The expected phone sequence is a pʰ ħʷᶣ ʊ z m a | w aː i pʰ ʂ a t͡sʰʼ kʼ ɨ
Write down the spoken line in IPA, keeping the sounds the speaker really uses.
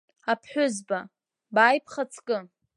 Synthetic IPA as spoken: a pʰ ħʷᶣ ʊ z b a | b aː j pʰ χ a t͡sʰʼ kʼ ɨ